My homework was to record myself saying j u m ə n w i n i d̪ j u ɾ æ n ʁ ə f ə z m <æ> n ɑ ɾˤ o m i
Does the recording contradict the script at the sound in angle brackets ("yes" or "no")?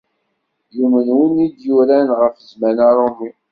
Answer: no